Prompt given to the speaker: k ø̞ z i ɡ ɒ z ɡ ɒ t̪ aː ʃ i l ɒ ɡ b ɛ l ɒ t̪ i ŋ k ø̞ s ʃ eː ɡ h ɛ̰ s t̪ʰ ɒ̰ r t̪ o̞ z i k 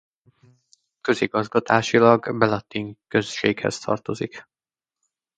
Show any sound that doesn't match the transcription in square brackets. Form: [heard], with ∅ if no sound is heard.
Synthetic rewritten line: k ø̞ z i ɡ ɒ z ɡ ɒ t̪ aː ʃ i l ɒ ɡ b ɛ l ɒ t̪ i ŋ k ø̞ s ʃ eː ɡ h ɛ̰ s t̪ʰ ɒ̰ r t̪ o̞ z i k